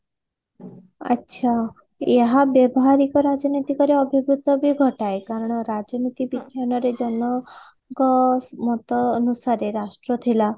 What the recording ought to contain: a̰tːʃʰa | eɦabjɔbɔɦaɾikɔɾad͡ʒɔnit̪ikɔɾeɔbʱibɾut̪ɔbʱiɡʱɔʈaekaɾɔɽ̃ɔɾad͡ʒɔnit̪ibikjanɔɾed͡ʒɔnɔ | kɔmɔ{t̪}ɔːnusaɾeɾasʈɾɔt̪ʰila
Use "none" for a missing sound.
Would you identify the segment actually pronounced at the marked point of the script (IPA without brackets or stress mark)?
t̪